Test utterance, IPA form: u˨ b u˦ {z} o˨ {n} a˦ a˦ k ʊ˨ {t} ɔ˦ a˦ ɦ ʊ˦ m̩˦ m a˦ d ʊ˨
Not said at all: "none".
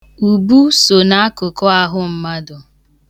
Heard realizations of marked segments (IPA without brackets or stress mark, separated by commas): s, n, k